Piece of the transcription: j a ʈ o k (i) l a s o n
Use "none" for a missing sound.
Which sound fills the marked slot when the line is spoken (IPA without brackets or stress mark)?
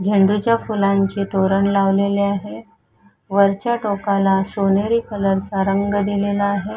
a